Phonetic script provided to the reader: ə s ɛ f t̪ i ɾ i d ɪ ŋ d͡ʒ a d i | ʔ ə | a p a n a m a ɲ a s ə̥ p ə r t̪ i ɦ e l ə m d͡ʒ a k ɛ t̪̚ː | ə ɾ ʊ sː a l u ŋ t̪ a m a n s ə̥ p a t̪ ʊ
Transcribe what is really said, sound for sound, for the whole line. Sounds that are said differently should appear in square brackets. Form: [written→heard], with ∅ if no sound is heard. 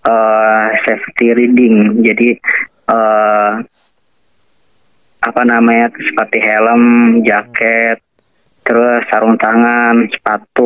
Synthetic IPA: ə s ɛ f t̪ i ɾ i d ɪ ŋ d͡ʒ a d i | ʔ ə | a p a n a m a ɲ a s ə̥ p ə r t̪ i ɦ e l ə m d͡ʒ a k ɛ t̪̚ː | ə ɾ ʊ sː a [l→ɾ] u ŋ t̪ a [m→ŋ] a n s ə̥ p a t̪ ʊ